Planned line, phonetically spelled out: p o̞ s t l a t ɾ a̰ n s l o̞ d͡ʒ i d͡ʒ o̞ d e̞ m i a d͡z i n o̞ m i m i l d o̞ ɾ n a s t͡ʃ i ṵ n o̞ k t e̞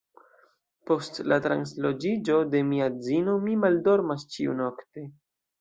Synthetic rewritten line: p o̞ s t l a t ɾ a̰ n s l o̞ d͡ʒ i d͡ʒ o̞ d e̞ m i a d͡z i n o̞ m i m a l d o̞ ɾ m a s t͡ʃ i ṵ n o̞ k t e̞